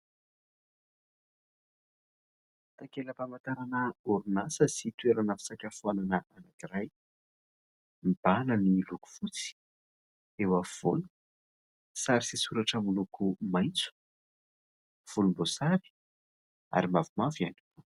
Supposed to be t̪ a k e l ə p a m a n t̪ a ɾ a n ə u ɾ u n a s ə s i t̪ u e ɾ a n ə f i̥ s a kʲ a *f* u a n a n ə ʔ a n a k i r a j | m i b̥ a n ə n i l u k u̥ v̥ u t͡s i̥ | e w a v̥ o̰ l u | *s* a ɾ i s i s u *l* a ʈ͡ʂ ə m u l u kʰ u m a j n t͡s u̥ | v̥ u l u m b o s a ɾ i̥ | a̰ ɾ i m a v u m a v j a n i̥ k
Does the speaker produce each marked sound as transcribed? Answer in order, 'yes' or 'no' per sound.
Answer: yes, yes, no

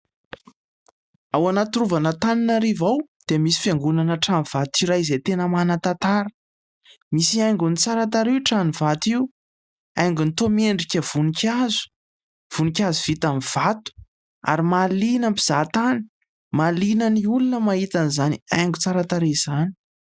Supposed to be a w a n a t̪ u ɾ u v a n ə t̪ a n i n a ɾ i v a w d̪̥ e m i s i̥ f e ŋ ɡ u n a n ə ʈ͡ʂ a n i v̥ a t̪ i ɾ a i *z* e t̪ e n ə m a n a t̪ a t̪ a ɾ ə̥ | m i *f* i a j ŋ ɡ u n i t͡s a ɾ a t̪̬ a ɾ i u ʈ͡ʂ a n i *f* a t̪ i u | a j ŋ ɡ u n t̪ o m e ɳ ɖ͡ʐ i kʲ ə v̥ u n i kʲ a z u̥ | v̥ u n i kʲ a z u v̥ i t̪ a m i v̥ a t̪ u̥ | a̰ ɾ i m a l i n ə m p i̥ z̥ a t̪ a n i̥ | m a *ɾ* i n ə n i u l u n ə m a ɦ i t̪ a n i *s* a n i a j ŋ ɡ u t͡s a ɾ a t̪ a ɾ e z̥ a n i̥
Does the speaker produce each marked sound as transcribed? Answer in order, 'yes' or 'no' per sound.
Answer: yes, no, no, no, no

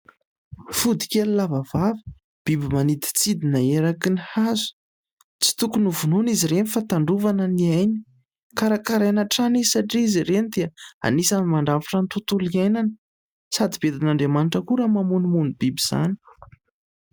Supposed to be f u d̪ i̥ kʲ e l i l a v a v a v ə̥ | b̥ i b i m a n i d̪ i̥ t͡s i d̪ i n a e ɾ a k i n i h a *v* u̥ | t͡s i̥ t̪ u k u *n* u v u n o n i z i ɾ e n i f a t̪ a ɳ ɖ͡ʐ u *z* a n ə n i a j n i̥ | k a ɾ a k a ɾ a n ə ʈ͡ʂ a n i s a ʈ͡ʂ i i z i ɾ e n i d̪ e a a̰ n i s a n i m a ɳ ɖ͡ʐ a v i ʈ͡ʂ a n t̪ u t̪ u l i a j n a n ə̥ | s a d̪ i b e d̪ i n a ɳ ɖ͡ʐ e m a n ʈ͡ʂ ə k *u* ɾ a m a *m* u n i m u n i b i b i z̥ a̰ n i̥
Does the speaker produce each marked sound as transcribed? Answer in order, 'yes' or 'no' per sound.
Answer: no, yes, no, yes, yes

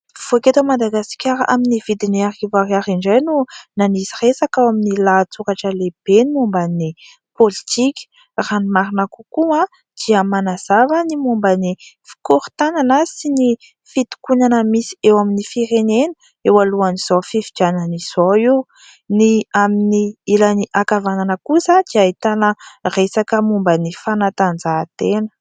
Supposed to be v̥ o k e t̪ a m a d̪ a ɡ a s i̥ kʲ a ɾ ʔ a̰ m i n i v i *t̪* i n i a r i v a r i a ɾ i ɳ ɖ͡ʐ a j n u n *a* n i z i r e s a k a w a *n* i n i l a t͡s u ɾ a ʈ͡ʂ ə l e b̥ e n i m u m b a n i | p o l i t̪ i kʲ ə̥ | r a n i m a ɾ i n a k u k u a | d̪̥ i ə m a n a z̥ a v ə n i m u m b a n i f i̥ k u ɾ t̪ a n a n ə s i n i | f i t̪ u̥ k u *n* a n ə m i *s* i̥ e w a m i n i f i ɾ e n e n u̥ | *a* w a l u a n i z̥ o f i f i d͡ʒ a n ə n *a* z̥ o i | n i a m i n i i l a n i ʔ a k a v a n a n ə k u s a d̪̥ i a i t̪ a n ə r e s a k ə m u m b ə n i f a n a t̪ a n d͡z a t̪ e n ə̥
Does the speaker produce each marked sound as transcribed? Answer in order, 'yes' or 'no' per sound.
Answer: no, yes, no, yes, yes, no, no

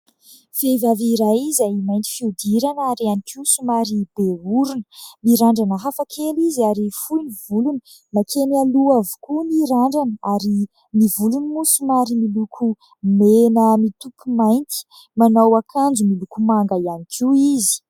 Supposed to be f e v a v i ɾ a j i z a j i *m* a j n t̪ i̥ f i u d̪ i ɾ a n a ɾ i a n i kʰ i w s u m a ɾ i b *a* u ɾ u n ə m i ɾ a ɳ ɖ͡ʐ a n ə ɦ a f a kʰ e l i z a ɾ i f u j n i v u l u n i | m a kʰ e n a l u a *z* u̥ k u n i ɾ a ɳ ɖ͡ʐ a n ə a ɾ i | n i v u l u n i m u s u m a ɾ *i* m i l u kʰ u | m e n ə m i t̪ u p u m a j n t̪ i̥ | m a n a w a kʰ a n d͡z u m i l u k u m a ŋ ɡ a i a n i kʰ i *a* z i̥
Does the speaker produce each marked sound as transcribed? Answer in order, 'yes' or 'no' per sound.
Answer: yes, no, no, yes, no

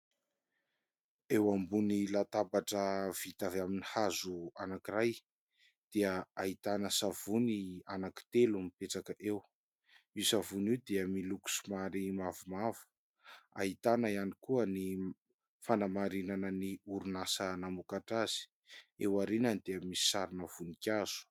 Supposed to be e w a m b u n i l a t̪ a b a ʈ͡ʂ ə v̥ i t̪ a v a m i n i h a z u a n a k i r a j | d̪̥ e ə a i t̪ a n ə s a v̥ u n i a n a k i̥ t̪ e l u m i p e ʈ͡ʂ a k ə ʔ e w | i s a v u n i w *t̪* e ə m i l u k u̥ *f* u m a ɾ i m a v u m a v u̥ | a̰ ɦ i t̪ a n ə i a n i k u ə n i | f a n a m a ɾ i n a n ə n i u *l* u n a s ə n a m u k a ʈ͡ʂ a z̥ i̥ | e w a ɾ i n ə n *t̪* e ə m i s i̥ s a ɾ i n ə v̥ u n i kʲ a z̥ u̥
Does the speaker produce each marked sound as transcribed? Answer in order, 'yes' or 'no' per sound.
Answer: no, no, no, no

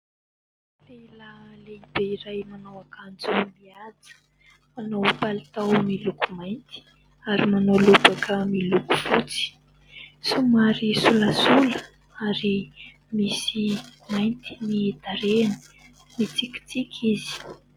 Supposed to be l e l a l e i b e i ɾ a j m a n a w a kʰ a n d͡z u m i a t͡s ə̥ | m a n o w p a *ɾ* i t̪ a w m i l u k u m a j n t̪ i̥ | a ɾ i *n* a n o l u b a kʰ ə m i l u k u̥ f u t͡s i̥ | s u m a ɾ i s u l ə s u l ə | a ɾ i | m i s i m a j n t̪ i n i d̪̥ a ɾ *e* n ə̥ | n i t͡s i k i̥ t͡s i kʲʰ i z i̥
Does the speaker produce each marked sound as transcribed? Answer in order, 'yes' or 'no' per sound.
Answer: no, no, yes

